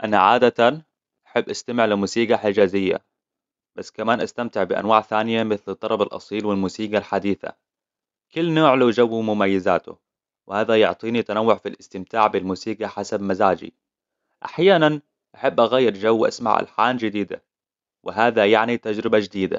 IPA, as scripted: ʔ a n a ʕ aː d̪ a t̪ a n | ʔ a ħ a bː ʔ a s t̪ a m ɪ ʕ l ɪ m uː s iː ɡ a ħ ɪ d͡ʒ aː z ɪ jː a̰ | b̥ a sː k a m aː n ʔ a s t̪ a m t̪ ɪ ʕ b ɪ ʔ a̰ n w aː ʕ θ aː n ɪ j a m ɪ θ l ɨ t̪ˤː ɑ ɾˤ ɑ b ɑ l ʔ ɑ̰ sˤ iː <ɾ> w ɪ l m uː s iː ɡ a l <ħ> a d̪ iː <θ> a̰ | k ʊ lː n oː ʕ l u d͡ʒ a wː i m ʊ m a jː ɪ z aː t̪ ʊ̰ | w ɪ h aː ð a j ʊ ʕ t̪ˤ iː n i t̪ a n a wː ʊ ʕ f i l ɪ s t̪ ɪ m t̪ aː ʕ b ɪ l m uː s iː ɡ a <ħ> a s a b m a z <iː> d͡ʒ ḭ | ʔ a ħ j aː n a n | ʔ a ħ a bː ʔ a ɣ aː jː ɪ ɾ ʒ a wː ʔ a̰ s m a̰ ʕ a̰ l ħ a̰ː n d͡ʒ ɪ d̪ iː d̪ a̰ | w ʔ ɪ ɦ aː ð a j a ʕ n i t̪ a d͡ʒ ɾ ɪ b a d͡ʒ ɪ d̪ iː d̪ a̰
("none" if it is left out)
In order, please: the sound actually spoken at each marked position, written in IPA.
l, ħ, θ, ħ, aː

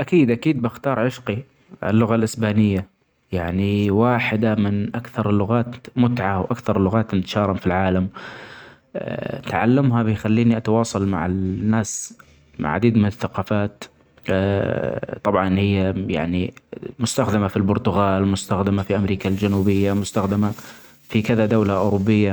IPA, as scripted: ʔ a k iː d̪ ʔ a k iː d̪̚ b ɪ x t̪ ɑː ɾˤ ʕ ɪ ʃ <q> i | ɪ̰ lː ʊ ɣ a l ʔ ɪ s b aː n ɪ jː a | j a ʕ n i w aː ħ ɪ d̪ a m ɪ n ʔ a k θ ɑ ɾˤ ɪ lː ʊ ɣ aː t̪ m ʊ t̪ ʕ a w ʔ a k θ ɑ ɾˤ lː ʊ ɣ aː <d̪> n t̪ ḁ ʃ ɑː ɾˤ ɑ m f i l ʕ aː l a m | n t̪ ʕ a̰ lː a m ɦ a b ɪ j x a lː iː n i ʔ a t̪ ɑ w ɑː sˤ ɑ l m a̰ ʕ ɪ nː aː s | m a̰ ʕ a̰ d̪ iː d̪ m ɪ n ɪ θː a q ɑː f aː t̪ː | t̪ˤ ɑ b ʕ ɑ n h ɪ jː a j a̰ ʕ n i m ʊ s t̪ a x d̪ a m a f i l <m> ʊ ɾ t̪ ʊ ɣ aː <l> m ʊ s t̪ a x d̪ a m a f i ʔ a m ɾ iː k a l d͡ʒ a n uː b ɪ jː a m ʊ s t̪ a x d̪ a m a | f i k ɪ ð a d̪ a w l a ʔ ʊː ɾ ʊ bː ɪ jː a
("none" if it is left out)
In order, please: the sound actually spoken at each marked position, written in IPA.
q, t̪, b, l

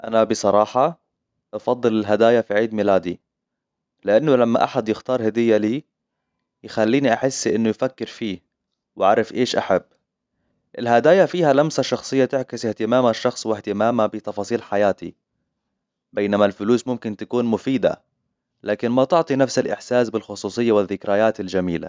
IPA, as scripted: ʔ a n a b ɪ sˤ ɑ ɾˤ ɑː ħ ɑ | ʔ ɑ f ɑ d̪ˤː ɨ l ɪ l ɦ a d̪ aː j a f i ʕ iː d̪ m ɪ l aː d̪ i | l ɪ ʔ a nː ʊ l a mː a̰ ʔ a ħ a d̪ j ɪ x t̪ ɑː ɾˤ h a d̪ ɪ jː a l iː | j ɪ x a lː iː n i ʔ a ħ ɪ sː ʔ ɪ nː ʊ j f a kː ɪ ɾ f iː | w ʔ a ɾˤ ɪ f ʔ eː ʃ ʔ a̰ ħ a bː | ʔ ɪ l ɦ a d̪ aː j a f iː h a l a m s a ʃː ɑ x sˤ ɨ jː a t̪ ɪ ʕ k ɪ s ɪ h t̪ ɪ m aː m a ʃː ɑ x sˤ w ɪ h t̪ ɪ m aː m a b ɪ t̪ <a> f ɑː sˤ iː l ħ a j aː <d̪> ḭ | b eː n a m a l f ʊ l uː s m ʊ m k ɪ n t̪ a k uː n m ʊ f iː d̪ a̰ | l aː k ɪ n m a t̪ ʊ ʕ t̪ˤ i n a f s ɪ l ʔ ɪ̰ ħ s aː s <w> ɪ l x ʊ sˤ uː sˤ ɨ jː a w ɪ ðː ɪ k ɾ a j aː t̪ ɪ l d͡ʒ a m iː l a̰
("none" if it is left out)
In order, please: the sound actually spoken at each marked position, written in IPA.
ɑ, t̪, b

